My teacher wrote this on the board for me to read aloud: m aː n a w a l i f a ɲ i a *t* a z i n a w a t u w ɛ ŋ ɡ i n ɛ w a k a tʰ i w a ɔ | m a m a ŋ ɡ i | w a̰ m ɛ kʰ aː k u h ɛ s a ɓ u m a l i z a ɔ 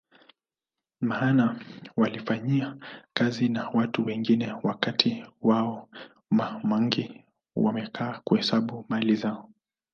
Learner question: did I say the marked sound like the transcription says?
no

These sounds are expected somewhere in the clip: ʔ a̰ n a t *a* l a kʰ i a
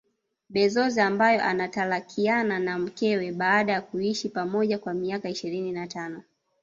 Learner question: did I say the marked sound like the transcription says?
yes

